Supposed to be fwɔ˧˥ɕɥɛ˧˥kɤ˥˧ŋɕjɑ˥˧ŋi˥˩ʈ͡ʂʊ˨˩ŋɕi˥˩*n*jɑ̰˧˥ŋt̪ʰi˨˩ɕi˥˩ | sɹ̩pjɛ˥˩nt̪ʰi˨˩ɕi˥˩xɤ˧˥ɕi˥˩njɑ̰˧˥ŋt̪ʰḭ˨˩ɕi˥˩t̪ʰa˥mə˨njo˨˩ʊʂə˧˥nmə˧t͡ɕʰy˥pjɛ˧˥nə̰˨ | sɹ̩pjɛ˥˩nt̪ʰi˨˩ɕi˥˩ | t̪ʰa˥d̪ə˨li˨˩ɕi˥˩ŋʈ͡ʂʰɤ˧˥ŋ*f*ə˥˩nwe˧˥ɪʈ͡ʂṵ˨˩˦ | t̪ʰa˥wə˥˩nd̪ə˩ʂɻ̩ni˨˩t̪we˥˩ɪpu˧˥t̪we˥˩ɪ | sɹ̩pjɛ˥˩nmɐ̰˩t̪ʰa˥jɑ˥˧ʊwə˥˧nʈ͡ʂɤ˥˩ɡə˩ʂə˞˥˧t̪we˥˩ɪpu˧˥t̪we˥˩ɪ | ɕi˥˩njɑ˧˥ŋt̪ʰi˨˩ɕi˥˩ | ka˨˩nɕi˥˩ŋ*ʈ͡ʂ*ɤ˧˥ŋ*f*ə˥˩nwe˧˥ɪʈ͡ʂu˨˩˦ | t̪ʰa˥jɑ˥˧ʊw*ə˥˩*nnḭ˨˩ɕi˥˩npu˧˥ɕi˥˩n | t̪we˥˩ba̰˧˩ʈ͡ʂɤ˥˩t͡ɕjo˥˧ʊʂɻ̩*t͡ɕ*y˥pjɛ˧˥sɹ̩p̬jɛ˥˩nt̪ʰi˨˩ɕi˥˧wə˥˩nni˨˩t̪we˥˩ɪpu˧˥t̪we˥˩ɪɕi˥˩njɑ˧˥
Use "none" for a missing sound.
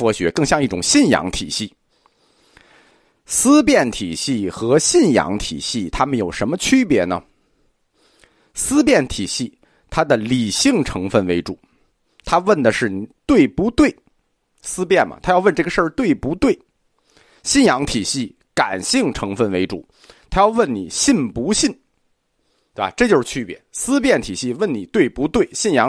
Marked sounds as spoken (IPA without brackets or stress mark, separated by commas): n, f, ʈ͡ʂʰ, f, ə˥˩, t͡ɕʰ